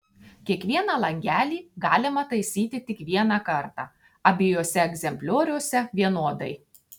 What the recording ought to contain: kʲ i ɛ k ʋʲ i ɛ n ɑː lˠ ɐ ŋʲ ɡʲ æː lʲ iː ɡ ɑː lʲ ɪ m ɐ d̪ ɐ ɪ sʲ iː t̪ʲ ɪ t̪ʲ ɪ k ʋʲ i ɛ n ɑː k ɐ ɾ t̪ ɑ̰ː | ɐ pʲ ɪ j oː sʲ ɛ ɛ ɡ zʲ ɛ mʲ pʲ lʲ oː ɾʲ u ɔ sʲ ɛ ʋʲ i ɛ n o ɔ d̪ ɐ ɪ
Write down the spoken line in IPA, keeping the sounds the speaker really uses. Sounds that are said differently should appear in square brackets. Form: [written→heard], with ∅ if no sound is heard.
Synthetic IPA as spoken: kʲ i ɛ k ʋʲ i ɛ n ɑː lˠ ɐ ŋʲ ɡʲ æː lʲ iː ɡ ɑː lʲ ɪ m ɐ [d̪→t̪] ɐ ɪ sʲ iː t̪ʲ ɪ t̪ʲ ɪ k ʋʲ i ɛ n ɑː k ɐ ɾ t̪ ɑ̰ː | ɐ [pʲ→bʲ] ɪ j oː sʲ ɛ ɛ ɡ zʲ ɛ mʲ pʲ lʲ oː ɾʲ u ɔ sʲ ɛ ʋʲ i ɛ n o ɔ d̪ ɐ ɪ

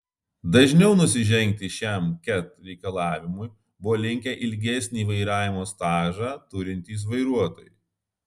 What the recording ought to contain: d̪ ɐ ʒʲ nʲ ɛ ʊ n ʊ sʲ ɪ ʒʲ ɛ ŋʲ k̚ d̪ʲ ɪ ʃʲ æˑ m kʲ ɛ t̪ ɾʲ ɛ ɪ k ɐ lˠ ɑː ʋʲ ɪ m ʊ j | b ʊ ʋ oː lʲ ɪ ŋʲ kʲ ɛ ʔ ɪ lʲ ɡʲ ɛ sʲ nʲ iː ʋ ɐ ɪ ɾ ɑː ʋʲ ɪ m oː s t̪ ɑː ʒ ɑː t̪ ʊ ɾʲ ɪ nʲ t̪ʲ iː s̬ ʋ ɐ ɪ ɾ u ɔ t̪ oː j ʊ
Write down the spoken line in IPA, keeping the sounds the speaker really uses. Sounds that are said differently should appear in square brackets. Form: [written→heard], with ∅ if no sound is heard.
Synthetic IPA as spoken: d̪ ɐ ʒʲ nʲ ɛ ʊ n ʊ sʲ ɪ ʒʲ ɛ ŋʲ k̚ [d̪ʲ→t̪ʲ] ɪ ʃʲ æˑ m kʲ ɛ t̪ ɾʲ ɛ ɪ k ɐ lˠ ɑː ʋʲ ɪ m ʊ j | b ʊ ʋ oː lʲ ɪ ŋʲ kʲ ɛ ʔ ɪ lʲ ɡʲ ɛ sʲ nʲ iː ʋ ɐ ɪ ɾ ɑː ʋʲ ɪ m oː s t̪ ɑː ʒ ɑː t̪ ʊ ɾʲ ɪ nʲ t̪ʲ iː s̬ ʋ ɐ ɪ ɾ u ɔ t̪ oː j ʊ

